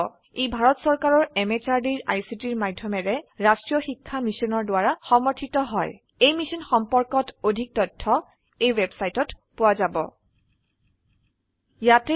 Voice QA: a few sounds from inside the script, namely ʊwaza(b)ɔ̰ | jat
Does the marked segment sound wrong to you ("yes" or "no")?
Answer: no